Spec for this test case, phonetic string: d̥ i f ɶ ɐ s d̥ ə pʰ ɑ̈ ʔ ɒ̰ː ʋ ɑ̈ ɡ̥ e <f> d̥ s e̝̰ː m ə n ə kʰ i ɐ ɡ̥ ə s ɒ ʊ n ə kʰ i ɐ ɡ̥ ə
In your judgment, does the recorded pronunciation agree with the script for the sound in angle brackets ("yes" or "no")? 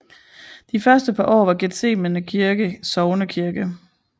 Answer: no